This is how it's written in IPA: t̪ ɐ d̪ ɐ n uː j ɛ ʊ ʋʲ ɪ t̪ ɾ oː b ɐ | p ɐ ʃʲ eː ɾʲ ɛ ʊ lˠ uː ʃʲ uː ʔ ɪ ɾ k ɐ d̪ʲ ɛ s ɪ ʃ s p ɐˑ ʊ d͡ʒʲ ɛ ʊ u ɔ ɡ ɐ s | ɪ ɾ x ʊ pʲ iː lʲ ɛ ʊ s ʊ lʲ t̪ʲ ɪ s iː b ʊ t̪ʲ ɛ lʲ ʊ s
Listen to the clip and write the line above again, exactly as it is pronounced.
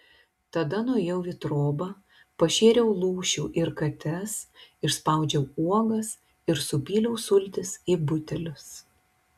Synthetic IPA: t̪ ɐ d̪ ɐ n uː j ɛ ʊ ʋʲ ɪ t̪ ɾ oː b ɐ | p ɐ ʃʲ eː ɾʲ ɛ ʊ lˠ uː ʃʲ uː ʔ ɪ ɾ k ɐ t̪ʲ ɛ s ɪ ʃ s p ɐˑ ʊ d͡ʒʲ ɛ ʊ u ɔ ɡ ɐ s | ɪ ɾ s ʊ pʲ iː lʲ ɛ ʊ s ʊ lʲ t̪ʲ ɪ s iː b ʊ t̪ʲ ɛ lʲ ʊ s